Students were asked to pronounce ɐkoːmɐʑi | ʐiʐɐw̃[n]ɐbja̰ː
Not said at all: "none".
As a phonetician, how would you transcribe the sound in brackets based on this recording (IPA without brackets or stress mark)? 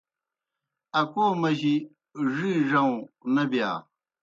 n